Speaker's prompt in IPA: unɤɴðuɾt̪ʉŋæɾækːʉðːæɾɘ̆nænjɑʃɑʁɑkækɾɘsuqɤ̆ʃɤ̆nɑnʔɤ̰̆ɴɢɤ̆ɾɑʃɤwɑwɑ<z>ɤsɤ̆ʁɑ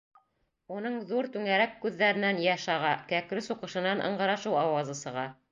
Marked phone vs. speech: correct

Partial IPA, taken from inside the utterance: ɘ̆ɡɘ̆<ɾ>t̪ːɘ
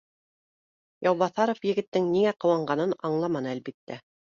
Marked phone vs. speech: incorrect: none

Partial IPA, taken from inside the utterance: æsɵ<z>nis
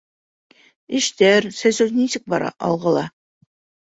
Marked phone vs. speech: correct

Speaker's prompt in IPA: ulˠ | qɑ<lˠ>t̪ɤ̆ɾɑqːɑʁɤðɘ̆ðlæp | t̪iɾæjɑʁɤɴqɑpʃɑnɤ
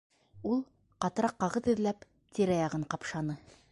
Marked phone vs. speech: incorrect: none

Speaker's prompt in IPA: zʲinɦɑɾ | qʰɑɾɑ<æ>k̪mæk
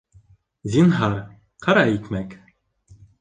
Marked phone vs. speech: incorrect: i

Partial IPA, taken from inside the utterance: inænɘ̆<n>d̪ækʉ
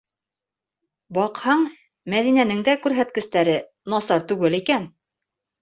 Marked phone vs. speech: incorrect: ŋ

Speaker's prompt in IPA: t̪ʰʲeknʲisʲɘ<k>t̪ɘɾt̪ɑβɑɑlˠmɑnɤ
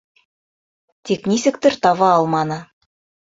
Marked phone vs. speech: correct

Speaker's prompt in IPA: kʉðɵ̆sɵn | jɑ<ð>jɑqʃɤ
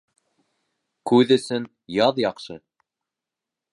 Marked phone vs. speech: correct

